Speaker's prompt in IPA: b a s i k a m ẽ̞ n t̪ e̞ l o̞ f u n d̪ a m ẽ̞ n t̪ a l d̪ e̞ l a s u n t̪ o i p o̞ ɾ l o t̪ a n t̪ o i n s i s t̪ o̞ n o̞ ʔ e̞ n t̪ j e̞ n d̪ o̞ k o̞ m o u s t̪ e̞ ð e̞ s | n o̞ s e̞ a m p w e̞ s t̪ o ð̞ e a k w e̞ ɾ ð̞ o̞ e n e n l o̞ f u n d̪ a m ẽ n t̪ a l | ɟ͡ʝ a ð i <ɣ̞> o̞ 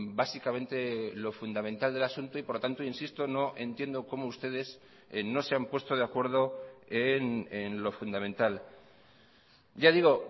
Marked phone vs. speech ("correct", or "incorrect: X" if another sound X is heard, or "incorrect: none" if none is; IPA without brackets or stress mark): correct